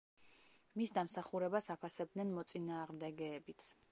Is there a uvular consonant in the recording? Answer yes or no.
yes